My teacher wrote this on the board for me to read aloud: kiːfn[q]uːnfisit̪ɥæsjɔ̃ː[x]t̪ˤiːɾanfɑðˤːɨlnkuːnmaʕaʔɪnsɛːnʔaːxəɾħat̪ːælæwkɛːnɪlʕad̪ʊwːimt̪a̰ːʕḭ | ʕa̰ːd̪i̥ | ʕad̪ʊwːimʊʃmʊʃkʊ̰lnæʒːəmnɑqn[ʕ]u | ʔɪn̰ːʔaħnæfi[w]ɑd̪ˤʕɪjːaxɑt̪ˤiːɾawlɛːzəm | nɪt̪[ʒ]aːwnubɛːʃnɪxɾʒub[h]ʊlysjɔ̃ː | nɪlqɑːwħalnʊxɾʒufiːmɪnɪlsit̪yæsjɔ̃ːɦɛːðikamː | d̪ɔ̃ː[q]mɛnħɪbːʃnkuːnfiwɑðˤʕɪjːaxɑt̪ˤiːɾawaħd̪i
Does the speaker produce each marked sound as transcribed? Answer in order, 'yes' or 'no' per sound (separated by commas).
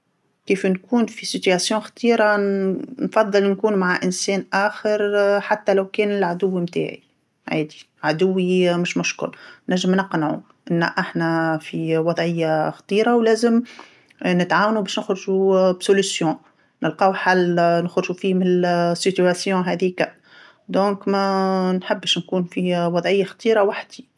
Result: no, yes, yes, yes, no, no, no